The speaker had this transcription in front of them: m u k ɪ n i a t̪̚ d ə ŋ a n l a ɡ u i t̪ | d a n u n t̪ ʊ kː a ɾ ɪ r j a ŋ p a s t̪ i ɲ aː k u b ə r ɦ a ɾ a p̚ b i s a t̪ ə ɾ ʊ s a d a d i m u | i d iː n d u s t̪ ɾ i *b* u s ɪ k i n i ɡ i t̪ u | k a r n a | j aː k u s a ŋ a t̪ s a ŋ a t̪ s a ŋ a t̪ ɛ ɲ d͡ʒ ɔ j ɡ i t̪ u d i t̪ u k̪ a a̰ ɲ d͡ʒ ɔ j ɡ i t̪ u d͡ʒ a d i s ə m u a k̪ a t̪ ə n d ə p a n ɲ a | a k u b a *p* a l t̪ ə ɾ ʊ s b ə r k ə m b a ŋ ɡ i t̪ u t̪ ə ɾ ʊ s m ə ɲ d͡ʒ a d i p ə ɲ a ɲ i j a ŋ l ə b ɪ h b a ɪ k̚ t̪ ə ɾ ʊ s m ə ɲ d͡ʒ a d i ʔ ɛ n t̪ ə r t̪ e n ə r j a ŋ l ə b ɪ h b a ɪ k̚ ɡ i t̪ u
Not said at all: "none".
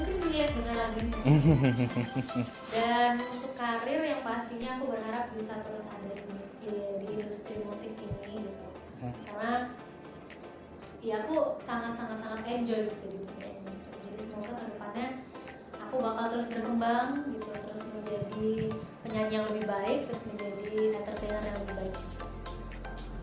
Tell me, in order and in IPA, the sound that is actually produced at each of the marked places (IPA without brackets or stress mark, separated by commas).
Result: m, k